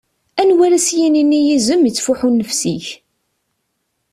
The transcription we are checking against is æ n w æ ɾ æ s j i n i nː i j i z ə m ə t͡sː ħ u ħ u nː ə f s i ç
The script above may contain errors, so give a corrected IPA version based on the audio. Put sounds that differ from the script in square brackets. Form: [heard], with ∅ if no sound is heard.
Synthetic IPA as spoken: æ n w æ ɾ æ s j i n i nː i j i z ə m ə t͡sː [f] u ħ u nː ə f s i ç